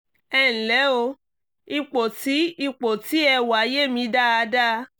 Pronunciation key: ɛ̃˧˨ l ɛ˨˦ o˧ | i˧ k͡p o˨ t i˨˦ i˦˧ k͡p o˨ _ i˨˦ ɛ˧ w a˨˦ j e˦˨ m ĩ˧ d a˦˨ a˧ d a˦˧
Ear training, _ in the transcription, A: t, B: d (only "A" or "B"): A